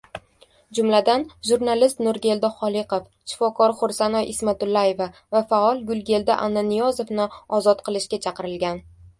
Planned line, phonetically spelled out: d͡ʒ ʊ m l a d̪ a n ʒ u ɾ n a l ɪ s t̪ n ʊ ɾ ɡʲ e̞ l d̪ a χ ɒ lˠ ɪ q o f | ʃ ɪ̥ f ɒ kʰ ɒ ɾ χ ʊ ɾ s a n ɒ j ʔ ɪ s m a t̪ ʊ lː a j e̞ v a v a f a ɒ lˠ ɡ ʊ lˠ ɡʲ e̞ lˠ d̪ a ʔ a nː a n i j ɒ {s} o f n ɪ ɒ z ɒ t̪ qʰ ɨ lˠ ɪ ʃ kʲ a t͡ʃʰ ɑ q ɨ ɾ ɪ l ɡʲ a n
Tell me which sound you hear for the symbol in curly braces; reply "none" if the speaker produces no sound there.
z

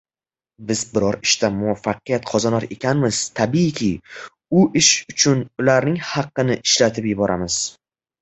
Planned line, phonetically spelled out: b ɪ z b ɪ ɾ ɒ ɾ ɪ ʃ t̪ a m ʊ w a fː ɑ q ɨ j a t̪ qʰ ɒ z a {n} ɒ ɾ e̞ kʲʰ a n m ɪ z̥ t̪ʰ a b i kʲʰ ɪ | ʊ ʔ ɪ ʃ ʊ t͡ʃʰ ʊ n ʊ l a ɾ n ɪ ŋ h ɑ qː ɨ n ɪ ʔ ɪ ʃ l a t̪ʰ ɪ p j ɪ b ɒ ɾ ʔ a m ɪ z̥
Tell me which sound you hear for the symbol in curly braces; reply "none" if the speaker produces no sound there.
n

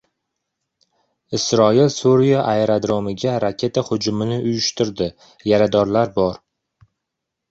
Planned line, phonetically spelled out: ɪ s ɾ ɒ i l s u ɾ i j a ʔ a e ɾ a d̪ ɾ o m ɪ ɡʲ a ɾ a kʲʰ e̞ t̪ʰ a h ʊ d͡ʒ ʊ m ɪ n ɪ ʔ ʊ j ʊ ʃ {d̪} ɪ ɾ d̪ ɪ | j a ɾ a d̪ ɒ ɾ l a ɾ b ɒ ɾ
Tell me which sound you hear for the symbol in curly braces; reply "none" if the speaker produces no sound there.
t̪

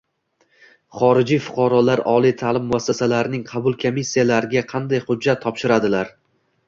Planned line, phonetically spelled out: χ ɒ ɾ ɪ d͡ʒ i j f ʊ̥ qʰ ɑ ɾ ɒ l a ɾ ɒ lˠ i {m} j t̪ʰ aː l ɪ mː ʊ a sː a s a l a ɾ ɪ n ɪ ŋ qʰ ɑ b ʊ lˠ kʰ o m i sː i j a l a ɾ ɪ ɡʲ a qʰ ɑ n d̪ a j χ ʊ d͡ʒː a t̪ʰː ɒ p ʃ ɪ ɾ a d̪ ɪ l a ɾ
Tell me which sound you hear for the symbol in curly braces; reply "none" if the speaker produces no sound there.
none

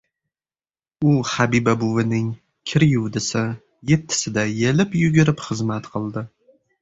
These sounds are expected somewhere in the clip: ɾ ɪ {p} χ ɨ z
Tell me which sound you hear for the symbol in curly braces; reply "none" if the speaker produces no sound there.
p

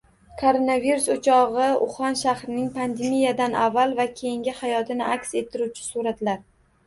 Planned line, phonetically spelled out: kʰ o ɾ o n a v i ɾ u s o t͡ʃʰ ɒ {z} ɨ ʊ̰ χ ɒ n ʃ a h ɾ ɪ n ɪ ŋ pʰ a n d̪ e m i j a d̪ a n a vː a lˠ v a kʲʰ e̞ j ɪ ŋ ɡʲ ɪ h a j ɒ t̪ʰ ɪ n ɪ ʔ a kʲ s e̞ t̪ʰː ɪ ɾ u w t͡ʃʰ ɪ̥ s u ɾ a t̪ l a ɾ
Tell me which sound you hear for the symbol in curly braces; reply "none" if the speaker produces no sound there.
ʁ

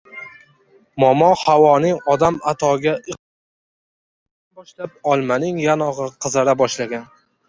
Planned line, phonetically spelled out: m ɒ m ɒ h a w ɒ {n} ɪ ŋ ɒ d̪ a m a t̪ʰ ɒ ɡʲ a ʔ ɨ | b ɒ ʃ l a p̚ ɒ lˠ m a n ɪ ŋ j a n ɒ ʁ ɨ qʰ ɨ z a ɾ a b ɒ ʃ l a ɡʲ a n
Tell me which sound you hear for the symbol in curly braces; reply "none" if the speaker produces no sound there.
n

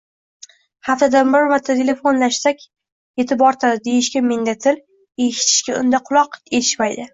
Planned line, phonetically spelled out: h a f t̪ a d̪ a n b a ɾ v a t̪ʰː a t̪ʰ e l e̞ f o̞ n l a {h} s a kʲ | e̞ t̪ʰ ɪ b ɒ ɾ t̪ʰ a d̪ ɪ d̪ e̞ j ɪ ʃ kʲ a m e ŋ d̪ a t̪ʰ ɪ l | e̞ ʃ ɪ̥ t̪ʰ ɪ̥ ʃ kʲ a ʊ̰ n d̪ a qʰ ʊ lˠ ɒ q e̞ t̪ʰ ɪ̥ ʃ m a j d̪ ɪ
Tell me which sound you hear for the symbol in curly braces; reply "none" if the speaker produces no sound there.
ʃ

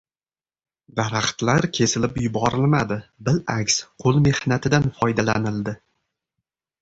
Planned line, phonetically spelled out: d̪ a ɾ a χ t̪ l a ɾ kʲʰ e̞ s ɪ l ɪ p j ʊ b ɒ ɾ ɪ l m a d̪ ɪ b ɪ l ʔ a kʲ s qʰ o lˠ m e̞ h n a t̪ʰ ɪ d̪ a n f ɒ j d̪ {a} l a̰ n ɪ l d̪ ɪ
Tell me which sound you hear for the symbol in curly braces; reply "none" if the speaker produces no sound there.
a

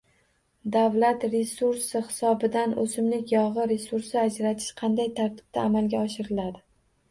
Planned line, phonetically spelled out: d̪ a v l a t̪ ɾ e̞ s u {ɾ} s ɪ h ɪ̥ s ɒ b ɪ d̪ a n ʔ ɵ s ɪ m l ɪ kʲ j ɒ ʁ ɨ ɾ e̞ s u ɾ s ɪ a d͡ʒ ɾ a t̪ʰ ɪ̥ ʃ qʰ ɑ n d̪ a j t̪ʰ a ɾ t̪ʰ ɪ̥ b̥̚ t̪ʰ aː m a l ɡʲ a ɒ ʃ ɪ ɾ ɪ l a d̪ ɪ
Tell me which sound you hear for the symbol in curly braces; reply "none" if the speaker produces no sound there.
ɾ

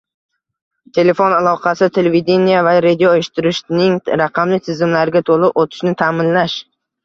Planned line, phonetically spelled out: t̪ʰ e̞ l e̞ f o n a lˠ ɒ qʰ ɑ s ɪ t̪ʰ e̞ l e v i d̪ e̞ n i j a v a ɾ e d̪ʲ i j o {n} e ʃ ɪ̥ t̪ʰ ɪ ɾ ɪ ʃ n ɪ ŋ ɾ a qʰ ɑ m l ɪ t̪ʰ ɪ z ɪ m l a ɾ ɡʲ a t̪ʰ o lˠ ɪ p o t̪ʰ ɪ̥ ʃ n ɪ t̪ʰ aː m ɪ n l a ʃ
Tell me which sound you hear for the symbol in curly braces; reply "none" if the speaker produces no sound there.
none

